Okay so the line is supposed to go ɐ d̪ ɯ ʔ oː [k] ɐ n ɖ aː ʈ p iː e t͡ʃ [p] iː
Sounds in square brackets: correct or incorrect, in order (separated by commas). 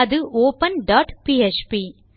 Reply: incorrect, correct